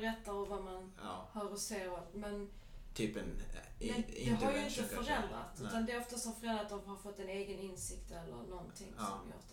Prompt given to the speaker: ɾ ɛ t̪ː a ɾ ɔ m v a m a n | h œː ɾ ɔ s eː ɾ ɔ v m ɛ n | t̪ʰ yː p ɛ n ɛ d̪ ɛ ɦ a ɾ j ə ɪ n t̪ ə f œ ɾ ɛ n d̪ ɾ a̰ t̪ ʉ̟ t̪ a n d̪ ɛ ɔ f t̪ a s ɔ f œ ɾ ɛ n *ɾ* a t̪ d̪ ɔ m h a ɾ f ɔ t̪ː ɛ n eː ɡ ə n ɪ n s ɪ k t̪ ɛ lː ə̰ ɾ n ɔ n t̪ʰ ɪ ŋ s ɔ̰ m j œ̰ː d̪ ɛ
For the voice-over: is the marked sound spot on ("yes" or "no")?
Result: yes